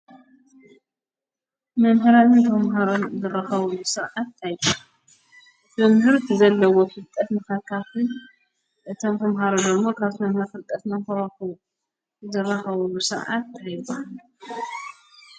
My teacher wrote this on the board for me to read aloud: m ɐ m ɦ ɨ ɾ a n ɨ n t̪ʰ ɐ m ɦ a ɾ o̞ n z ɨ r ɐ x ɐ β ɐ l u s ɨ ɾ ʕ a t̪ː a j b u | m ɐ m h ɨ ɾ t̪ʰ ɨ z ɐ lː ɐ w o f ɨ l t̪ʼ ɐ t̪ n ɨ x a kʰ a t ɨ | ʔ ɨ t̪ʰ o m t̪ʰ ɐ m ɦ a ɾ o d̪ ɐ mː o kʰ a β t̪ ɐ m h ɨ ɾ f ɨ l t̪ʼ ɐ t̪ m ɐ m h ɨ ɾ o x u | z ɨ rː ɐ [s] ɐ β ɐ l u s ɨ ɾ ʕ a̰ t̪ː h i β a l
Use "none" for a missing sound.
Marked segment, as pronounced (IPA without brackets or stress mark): x